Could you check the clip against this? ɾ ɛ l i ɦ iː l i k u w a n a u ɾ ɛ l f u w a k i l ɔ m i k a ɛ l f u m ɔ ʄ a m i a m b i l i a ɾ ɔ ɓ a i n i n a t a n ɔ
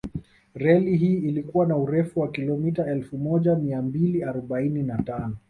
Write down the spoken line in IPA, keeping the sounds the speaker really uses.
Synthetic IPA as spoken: ɾ ɛ l i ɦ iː l i k u w a n a u ɾ ɛ f u w a k i l ɔ m i t a ɛ l f u m ɔ ʄ a m i a m b i l i a ɾ ɔ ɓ a i n i n a t a n ɔ